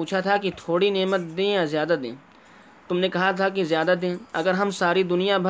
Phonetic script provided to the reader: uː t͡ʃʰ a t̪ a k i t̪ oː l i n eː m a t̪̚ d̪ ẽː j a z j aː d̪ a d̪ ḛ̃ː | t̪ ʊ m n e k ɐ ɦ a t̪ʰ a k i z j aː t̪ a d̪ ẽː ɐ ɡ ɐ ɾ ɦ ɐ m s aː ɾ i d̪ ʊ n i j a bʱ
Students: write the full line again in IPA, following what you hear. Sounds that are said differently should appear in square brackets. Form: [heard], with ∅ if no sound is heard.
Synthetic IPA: uː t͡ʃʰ a [t̪ʰ] a k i [t̪ʰ] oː [ɽ] i n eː m [ə] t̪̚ d̪ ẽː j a z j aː d̪ a d̪ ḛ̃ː | t̪ ʊ m n e k ɐ ɦ a t̪ʰ a k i z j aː [d̪] a d̪ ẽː ɐ ɡ [ə] ɾ ɦ ɐ m s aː ɾ i d̪ ʊ n i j a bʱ